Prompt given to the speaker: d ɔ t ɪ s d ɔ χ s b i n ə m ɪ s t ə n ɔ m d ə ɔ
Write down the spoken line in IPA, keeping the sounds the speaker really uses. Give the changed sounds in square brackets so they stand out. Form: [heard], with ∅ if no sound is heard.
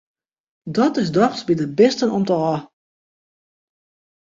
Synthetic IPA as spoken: d ɔ t ɪ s d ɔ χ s b i [d] ə [b] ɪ s t ə n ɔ m [t] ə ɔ